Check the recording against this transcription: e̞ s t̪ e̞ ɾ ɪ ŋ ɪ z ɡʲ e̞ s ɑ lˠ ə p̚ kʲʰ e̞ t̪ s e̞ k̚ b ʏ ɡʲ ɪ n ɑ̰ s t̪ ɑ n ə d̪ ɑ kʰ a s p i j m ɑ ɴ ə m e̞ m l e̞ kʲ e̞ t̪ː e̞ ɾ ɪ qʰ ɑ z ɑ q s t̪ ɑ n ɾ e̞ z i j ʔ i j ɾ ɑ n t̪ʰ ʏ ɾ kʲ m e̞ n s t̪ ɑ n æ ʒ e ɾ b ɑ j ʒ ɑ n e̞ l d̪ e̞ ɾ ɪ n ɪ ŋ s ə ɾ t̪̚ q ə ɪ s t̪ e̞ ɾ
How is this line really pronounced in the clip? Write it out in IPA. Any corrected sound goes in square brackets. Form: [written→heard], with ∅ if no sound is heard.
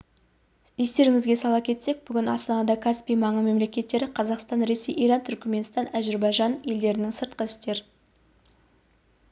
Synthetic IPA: e̞ s t̪ e̞ ɾ ɪ ŋ ɪ z ɡʲ e̞ s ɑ lˠ [ə→ɑ] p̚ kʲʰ e̞ t̪ s e̞ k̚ b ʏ ɡʲ ɪ n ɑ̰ s t̪ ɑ n [ə→ɑ] d̪ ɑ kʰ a s p i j m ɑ ɴ ə m e̞ m l e̞ kʲ e̞ t̪ː e̞ ɾ ɪ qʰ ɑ z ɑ q s t̪ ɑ n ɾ e̞ [z→s] i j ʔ i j ɾ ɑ n t̪ʰ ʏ ɾ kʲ m e̞ n s t̪ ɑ n æ ʒ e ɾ b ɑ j ʒ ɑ n e̞ l d̪ e̞ ɾ ɪ n ɪ ŋ s ə ɾ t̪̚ q ə ɪ s t̪ e̞ ɾ